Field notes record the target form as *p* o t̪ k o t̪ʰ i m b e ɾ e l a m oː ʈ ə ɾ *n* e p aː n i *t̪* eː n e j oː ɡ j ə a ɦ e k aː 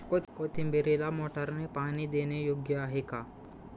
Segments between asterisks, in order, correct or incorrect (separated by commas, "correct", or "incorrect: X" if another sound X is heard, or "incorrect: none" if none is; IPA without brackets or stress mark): incorrect: k, correct, incorrect: d̪